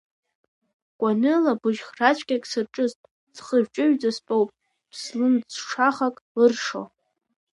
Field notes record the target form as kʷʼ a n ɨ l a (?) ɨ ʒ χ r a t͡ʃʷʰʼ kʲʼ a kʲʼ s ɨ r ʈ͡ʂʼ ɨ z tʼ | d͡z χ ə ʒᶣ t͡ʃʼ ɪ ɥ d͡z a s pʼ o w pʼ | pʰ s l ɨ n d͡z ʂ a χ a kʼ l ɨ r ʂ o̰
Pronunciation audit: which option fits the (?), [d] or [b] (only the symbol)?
b